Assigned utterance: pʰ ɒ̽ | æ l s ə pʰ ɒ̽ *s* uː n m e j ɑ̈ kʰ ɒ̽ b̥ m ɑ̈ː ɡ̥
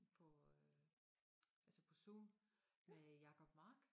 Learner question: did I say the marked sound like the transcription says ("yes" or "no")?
yes